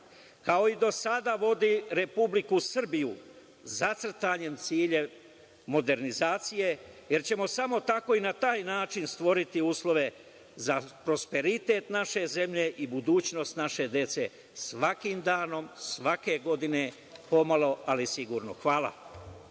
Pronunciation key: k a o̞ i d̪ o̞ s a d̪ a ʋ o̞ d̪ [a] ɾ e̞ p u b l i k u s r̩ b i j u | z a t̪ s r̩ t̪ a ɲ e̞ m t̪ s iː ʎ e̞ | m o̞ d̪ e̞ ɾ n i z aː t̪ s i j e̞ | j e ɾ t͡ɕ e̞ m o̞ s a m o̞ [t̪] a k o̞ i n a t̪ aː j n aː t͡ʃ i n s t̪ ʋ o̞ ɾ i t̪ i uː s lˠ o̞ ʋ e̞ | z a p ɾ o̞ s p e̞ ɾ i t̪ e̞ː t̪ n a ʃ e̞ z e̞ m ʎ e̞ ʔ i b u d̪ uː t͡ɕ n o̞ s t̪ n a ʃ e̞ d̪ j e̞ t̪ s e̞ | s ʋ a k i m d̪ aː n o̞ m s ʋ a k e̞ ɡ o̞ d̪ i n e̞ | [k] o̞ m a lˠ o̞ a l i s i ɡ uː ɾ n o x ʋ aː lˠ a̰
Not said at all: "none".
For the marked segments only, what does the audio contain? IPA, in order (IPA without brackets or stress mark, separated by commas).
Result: i, t̪, p